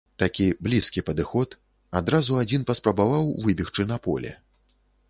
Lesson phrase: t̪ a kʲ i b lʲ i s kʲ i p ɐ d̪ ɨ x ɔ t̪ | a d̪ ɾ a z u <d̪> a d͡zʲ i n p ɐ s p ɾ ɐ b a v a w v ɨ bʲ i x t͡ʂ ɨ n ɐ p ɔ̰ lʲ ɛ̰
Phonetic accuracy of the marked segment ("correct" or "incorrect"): incorrect